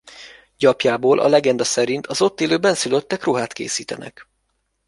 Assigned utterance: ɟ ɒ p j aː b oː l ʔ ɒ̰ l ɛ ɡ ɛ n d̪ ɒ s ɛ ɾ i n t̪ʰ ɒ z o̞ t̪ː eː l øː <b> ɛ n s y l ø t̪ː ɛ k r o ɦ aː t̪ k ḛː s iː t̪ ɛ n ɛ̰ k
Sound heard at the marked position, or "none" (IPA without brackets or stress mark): b